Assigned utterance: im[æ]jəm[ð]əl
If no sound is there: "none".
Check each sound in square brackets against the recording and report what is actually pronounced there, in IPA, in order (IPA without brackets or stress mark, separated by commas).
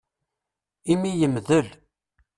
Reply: i, ð